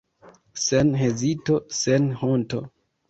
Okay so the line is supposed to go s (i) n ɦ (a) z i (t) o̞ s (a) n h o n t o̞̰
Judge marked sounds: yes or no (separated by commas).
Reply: no, no, yes, no